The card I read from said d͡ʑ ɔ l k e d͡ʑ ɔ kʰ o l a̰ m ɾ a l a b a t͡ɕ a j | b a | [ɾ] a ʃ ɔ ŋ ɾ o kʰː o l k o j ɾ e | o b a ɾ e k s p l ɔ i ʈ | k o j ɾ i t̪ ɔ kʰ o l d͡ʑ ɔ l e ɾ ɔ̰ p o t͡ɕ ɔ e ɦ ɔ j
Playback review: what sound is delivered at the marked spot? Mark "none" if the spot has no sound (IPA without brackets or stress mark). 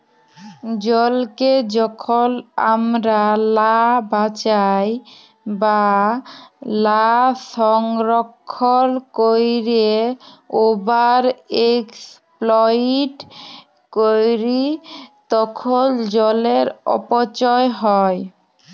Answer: l